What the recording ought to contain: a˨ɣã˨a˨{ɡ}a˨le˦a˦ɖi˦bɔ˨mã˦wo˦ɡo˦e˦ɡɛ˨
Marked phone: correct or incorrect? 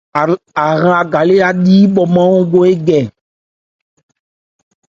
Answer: correct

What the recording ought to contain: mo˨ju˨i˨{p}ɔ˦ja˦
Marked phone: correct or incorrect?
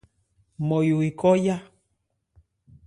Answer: incorrect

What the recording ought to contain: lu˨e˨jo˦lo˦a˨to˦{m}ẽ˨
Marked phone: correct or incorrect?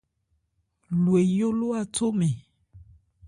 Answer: correct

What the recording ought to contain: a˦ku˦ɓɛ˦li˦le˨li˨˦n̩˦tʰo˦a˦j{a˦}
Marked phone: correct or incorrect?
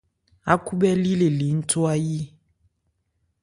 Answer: incorrect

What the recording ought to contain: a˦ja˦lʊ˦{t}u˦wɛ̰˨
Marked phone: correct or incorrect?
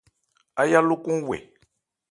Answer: incorrect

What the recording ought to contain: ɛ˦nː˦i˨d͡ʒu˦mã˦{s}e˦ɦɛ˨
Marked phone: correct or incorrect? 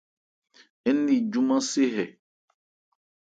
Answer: correct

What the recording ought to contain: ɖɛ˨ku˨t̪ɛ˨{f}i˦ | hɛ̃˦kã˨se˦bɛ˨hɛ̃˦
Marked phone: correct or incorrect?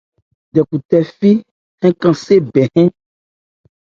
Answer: correct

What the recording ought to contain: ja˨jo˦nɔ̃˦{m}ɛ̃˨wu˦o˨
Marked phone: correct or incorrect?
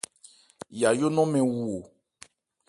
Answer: correct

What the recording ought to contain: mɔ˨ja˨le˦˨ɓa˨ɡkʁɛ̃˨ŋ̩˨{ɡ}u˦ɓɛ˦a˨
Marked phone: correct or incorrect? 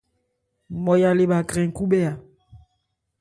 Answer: incorrect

